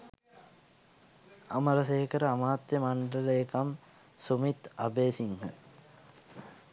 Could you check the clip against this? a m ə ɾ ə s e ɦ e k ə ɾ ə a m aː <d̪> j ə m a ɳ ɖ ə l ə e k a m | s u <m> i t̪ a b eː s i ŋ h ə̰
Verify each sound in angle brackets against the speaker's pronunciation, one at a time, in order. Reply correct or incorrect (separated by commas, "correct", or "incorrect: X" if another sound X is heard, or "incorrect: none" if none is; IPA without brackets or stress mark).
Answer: incorrect: t̪, correct